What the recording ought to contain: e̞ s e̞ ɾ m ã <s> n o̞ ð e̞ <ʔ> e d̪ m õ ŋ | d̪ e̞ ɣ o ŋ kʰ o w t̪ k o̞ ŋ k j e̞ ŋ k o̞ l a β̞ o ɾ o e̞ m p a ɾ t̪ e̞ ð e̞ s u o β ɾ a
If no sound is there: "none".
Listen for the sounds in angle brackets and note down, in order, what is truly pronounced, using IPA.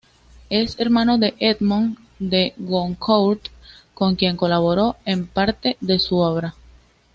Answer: none, ʔ

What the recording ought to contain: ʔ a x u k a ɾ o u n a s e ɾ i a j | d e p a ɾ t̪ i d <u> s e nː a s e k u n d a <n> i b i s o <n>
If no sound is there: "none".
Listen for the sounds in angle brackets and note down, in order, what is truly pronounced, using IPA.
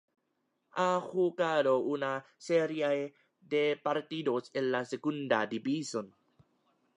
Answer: o, d, n

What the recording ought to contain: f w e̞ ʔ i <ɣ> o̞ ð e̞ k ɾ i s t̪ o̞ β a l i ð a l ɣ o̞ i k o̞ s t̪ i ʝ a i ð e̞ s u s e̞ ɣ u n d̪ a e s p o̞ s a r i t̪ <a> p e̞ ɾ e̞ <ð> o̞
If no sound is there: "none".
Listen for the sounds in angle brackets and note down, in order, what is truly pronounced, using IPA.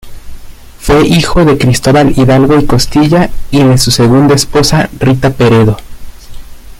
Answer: x, a, ð

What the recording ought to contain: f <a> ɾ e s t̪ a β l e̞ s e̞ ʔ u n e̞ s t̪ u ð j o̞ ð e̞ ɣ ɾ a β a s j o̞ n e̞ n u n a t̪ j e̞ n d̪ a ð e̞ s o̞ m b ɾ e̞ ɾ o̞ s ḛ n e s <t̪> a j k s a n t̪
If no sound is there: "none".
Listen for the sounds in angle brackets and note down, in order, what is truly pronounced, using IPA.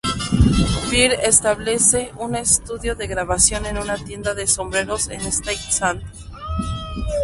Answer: i, t̪

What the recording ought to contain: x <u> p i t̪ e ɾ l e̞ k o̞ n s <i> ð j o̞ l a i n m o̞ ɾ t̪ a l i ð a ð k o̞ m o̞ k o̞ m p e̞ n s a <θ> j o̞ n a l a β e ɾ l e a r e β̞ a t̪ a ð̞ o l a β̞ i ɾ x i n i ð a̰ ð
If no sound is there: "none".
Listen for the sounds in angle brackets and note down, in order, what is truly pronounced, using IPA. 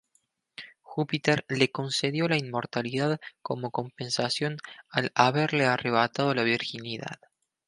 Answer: u, e, s

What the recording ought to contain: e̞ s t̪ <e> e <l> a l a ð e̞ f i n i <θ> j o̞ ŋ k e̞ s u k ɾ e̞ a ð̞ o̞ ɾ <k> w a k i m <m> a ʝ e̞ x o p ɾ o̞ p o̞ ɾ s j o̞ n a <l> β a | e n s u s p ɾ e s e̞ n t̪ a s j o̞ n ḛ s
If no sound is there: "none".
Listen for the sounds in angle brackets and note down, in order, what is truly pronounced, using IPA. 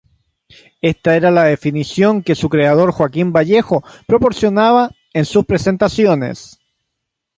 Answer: a, ɾ, s, x, b, none

